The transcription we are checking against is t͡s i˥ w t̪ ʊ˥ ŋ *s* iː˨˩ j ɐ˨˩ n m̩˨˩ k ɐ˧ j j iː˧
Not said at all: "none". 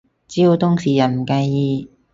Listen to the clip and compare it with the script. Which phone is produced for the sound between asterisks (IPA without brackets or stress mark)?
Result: s